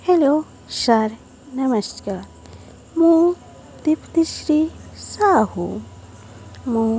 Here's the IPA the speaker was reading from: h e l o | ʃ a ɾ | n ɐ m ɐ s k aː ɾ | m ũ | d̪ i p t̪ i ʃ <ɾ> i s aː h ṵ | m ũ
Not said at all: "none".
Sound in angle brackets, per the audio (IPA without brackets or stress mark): ɾ